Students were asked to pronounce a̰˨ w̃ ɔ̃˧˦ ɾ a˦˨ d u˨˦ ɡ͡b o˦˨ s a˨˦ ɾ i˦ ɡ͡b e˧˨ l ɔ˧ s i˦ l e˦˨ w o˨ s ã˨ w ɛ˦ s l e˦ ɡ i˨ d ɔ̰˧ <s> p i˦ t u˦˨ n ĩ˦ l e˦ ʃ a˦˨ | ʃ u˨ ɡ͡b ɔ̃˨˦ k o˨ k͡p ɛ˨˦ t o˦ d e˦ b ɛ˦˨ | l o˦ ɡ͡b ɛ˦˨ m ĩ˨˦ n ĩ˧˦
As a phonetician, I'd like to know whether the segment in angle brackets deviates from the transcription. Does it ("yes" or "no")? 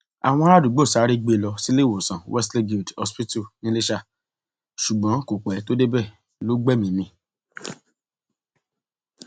no